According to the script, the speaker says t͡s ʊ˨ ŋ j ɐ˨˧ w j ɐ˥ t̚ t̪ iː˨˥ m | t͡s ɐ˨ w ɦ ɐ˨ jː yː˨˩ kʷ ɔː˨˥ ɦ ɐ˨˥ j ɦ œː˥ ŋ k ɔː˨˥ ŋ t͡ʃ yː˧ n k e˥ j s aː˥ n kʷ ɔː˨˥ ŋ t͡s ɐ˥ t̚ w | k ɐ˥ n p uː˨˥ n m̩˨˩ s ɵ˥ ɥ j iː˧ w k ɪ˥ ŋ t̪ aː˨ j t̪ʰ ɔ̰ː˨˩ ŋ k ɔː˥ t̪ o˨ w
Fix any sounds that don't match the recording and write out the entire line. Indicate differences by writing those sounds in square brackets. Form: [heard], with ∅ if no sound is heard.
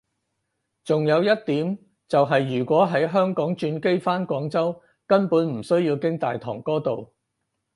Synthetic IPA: t͡s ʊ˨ ŋ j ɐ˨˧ w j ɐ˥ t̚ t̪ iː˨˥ m | t͡s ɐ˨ w ɦ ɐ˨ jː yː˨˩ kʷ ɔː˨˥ ɦ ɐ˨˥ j ɦ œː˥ ŋ k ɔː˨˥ ŋ t͡ʃ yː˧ n k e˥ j [f] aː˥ n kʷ ɔː˨˥ ŋ t͡s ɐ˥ [∅] w | k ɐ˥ n p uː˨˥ n m̩˨˩ s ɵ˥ ɥ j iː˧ w k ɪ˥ ŋ t̪ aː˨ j t̪ʰ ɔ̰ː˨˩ ŋ k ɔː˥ t̪ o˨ w